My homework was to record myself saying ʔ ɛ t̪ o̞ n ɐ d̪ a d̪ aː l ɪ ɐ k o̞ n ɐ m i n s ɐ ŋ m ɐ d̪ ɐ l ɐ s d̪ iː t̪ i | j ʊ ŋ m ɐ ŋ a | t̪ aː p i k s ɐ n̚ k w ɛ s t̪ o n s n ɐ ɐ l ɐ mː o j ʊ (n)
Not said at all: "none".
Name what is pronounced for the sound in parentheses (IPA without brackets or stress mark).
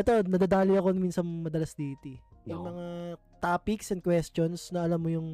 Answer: ŋ